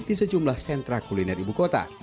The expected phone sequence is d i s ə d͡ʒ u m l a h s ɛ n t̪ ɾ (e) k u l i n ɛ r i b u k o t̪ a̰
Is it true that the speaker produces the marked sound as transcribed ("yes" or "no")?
no